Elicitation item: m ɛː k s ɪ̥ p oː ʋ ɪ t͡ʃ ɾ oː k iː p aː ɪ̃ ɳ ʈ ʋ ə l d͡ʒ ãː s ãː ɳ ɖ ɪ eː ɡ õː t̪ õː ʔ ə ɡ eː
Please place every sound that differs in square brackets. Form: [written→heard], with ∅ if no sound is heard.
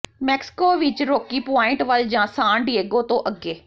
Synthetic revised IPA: m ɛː k s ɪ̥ [p→k] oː ʋ ɪ t͡ʃ ɾ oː k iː p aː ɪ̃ ɳ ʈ ʋ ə l d͡ʒ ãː s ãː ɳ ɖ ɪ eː ɡ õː t̪ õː ʔ ə ɡ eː